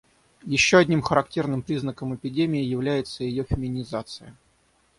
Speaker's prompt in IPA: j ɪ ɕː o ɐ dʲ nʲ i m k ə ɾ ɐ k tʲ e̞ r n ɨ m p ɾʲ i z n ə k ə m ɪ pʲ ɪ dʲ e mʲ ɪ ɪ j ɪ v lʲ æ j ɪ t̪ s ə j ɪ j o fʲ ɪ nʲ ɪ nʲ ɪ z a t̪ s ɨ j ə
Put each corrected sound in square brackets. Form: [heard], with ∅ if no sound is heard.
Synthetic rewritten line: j ɪ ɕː o ɐ dʲ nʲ i m [x] ə ɾ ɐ k tʲ e̞ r n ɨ m p ɾʲ i z n ə k ə m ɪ pʲ ɪ dʲ e mʲ ɪ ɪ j ɪ v lʲ æ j ɪ t̪ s ə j ɪ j o fʲ ɪ [mʲ] ɪ nʲ ɪ z a t̪ s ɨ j ə